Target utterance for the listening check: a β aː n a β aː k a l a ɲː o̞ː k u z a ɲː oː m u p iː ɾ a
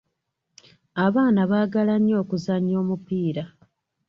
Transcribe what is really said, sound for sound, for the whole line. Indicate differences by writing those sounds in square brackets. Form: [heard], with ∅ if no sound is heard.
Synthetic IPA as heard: a β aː n a β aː [ɡ] a l a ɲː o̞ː k u z a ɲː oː m u p iː ɾ a